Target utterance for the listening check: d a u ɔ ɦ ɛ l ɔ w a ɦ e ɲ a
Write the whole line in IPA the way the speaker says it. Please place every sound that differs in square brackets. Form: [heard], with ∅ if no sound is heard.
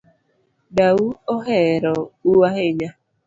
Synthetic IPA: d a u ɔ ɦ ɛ [ɾ] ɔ [u] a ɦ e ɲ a